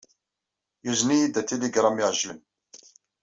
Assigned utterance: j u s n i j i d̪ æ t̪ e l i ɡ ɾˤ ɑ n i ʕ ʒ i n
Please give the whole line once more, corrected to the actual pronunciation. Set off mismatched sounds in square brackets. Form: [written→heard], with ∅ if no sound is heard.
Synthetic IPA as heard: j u [s→z] n i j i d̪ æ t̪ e l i ɡ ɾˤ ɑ [n→m] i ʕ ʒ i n